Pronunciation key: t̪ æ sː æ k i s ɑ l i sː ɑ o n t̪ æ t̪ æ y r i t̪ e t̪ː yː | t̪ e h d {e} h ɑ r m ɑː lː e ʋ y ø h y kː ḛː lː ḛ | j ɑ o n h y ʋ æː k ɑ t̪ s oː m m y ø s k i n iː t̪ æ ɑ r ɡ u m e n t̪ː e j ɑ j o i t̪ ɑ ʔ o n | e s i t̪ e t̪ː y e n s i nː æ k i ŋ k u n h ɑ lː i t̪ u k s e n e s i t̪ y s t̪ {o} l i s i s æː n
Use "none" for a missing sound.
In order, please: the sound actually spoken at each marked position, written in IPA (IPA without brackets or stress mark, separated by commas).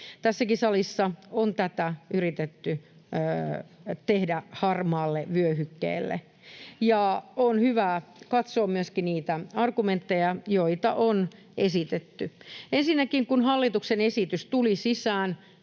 æ, u